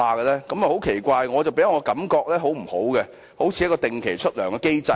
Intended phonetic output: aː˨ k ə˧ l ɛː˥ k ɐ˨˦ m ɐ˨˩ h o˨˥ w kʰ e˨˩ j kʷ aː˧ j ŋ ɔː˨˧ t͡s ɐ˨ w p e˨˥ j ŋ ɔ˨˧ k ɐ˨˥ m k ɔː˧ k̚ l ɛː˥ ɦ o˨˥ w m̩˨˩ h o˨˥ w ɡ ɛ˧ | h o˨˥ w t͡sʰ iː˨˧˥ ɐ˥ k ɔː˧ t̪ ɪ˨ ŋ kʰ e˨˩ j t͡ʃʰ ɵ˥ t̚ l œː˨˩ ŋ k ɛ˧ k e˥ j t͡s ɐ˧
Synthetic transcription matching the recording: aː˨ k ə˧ l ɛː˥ k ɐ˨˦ m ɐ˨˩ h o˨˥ w kʰ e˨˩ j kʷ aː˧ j ŋ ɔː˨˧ t͡s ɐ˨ w p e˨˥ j ŋ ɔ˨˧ k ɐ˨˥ m k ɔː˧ k̚ l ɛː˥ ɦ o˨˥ w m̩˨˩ h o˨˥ w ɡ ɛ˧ | h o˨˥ w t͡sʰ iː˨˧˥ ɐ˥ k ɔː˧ t̪ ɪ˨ ŋ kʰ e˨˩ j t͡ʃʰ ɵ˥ t̚ l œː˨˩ ŋ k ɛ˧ k e˥ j t͡s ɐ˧